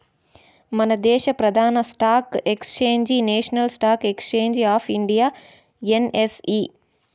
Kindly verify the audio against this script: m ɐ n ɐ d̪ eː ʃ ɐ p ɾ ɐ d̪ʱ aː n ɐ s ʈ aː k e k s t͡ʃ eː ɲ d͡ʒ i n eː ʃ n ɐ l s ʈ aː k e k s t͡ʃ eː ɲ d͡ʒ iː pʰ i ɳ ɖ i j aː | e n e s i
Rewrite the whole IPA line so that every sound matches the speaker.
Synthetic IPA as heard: m ɐ n ɐ d̪ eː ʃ ɐ p ɾ ɐ d̪ʱ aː n ɐ s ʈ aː k e k s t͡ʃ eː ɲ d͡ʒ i n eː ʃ n ɐ l s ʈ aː k e k s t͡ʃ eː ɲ d͡ʒ aː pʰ i ɳ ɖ i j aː | e n e s i